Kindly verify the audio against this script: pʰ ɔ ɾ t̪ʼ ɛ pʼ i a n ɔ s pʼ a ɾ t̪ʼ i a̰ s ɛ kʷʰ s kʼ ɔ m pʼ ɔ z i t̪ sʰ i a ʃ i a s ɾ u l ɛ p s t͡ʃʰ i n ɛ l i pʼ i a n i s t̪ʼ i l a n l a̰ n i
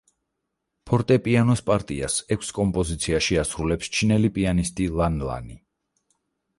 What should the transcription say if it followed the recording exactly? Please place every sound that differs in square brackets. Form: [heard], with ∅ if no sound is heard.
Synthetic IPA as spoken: pʰ ɔ ɾ t̪ʼ ɛ pʼ i a n ɔ s pʼ a ɾ t̪ʼ i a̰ s ɛ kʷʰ s kʼ ɔ m pʼ ɔ z i t̪ sʰ i a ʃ i a s ɾ u l ɛ p s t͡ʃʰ i n ɛ l i pʼ i a n i s t̪ʼ i l a n l a̰ n i